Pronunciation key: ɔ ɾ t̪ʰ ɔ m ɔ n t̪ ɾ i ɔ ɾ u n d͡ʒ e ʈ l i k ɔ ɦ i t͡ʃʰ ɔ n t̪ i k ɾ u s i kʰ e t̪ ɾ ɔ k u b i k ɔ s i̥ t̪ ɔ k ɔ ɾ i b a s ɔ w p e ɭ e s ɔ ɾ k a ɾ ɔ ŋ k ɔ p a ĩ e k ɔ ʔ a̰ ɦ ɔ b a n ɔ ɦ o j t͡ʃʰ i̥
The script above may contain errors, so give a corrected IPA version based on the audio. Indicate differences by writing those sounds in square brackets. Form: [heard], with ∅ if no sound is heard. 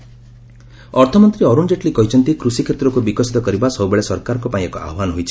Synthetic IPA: ɔ ɾ t̪ʰ ɔ m ɔ n t̪ ɾ i ɔ ɾ u n d͡ʒ e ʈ l i k ɔ ɦ i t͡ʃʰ ɔ n t̪ i k ɾ u s i kʰ e t̪ ɾ ɔ k u b i k ɔ s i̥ t̪ ɔ k ɔ ɾ i b a s ɔ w [b] e ɭ e s ɔ ɾ k a ɾ ɔ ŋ k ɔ p a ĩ e k ɔ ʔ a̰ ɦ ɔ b a n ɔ ɦ o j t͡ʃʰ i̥